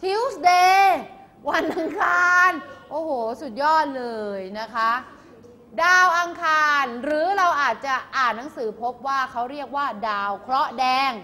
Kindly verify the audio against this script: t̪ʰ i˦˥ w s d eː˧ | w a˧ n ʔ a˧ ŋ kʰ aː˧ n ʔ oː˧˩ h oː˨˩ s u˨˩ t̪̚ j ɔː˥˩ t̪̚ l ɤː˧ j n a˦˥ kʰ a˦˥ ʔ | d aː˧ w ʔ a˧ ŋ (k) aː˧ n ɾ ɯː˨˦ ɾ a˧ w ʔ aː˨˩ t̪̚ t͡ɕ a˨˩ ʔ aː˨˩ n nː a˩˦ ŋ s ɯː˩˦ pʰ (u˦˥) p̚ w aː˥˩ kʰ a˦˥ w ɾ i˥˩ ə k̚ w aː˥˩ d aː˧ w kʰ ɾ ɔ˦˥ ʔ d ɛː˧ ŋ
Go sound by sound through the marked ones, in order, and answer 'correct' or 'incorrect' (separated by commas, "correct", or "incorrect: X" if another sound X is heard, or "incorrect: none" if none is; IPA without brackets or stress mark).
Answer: incorrect: kʰ, incorrect: o˦˥